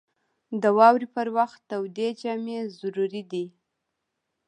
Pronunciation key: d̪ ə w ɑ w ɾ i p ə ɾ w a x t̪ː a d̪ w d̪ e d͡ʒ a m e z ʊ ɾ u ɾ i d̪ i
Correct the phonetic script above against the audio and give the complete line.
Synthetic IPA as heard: d̪ ə w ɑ w ɾ i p ə ɾ w a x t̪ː a w d̪ e d͡ʒ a m e z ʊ ɾ u ɾ i d̪ i